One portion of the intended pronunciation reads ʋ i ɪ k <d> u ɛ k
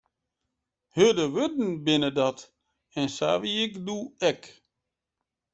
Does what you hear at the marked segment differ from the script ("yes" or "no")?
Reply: no